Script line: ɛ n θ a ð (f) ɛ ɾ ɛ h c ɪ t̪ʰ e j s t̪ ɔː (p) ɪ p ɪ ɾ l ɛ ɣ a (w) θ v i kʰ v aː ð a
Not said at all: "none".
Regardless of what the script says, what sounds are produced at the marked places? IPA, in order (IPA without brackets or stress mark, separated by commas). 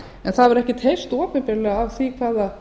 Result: v, p, v